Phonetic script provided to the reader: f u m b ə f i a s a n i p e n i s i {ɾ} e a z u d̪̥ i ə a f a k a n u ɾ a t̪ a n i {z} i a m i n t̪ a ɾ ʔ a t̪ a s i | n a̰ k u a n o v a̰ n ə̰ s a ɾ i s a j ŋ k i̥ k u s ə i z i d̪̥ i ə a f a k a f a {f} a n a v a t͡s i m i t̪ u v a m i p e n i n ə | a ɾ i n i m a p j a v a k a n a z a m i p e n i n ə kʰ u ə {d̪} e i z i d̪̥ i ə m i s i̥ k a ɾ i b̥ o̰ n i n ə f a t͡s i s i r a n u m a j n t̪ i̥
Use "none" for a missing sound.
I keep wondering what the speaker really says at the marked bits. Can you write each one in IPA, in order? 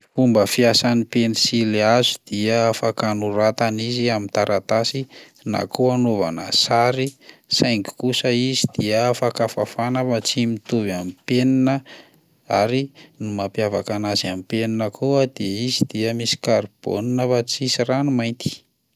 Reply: l, z, f, d̪

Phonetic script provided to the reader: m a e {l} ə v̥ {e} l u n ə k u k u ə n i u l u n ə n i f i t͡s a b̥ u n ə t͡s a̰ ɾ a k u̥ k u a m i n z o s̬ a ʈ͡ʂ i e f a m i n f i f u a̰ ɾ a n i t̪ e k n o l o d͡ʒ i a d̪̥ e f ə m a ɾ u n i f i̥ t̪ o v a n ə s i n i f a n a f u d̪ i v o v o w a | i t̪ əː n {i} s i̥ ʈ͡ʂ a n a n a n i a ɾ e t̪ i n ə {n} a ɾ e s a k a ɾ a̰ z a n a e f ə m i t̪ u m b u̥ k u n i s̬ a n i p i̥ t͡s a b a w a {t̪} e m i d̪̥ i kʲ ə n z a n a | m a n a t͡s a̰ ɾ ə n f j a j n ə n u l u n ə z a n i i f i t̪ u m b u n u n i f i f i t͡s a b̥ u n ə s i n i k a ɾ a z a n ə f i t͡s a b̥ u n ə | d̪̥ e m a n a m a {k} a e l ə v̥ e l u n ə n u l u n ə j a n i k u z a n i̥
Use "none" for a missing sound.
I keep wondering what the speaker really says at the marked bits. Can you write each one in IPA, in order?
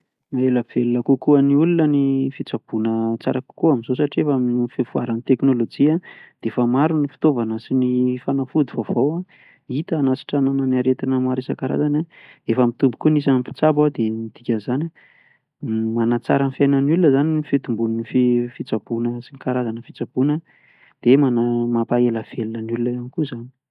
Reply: l, e, a, m, d̪, p

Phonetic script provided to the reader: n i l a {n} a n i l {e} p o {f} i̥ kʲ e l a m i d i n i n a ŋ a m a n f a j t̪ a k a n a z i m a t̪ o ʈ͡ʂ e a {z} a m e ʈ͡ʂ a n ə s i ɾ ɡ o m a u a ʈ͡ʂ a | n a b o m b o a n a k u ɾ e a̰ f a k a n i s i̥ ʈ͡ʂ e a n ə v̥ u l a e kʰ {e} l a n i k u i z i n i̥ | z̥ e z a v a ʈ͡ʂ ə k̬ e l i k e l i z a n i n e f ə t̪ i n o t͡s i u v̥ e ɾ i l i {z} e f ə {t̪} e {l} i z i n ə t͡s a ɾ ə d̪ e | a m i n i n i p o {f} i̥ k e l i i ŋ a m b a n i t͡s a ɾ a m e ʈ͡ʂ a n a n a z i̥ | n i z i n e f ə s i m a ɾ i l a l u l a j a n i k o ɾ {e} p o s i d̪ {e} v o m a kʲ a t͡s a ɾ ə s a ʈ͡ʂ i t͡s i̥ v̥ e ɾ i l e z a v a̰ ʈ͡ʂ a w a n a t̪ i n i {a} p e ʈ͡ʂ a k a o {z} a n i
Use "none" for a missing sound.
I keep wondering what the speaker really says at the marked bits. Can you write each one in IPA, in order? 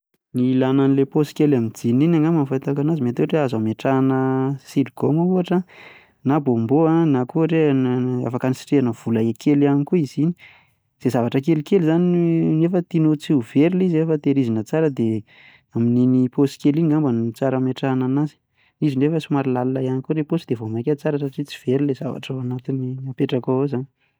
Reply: n, e, s, z, e, z, t̪, ɾ, s, e, e, a, z

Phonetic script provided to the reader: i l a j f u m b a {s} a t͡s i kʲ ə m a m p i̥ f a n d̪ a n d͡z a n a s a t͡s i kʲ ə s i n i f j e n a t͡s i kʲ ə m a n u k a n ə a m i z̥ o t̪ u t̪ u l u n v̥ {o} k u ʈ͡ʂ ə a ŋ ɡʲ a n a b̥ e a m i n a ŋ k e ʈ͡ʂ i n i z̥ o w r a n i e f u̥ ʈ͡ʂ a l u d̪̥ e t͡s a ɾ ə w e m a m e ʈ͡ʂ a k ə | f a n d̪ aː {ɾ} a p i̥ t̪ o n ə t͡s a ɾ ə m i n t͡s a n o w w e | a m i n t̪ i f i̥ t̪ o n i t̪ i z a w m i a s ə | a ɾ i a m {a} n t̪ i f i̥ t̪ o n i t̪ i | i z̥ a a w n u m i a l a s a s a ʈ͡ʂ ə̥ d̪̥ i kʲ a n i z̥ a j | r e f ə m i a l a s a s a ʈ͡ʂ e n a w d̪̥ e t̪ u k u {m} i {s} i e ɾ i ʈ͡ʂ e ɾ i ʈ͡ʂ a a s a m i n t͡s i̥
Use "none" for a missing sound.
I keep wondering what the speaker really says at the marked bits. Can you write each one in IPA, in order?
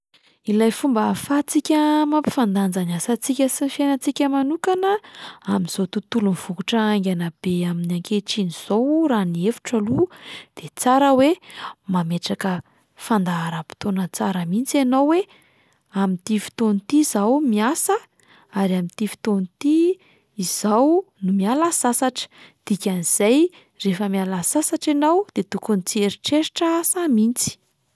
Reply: f, u, ɾ, i, n, t͡s

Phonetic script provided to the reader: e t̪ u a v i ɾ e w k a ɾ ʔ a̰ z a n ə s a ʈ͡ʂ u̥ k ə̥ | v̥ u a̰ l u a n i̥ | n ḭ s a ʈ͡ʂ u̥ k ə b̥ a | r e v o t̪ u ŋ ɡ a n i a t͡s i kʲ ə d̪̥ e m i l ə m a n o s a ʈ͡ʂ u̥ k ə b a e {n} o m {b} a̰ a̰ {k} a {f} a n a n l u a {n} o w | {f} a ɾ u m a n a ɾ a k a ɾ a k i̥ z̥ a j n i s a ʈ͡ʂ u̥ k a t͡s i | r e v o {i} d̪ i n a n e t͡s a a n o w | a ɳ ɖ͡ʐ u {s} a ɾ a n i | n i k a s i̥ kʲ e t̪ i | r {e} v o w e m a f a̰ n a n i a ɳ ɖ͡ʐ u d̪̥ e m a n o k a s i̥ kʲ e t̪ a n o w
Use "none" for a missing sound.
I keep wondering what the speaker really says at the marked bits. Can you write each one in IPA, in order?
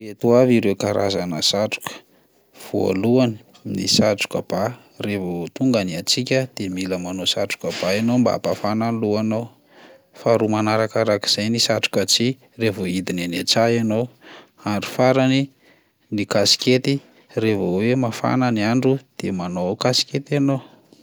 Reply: n, b, p, f, n, f, i, f, e

